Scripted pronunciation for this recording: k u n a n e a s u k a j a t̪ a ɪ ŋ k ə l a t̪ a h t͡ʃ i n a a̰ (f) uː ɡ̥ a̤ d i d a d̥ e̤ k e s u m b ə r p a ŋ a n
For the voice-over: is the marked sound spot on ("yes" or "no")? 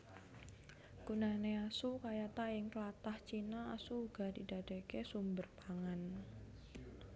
no